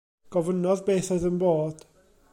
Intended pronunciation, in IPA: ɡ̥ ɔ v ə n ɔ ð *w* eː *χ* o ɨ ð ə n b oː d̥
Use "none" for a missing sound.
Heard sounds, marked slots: b, θ

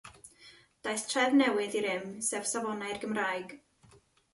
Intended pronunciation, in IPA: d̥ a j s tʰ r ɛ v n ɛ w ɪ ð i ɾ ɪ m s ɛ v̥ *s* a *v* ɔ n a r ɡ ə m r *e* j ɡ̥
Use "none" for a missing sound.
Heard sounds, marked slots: s, v, a

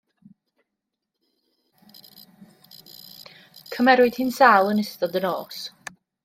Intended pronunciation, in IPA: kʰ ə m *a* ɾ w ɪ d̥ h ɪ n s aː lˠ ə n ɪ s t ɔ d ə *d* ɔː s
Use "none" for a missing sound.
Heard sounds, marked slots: ɛ, n

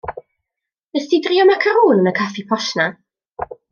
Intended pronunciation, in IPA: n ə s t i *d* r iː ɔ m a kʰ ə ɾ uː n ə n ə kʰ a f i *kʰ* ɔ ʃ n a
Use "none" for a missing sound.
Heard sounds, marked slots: d, pʰ

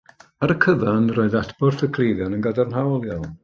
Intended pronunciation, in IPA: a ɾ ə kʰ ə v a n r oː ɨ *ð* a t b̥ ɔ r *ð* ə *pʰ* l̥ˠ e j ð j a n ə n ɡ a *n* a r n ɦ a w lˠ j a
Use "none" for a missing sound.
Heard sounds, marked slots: ð, θ, kʰ, d

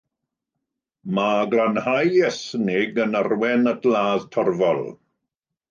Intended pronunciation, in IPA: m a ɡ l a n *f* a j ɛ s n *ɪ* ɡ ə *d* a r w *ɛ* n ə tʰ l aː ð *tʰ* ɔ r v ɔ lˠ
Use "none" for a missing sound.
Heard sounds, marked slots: h, ɪ, n, ɛ, tʰ

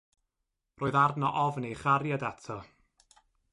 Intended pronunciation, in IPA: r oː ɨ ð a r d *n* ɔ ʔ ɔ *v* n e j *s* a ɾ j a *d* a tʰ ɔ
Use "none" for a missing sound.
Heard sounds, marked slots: n, v, χ, d

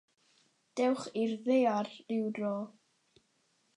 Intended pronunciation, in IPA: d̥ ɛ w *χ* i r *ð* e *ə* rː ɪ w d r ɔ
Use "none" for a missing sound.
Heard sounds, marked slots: χ, ð, a

